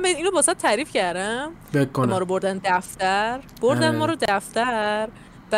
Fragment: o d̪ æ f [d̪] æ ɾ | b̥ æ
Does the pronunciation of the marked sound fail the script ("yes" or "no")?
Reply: yes